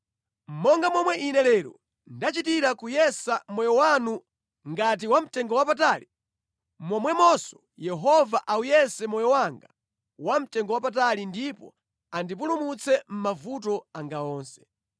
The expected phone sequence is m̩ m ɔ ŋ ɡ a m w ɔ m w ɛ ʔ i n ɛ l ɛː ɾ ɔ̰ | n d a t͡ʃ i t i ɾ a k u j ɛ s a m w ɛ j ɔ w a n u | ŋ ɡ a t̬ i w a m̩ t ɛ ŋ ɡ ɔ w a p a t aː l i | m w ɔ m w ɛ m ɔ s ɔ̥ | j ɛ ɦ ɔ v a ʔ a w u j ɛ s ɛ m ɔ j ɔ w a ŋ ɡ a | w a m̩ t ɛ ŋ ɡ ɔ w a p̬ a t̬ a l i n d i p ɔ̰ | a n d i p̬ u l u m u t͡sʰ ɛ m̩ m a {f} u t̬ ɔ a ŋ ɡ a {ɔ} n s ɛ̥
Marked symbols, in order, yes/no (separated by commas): no, no